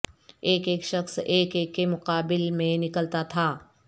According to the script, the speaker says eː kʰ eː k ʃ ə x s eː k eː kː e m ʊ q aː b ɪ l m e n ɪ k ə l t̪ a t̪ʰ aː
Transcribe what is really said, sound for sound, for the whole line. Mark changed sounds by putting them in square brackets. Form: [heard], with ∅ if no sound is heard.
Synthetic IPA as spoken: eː [k] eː k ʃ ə x s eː k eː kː e m ʊ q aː b ɪ l m [ẽ] n ɪ k ə l t̪ a t̪ʰ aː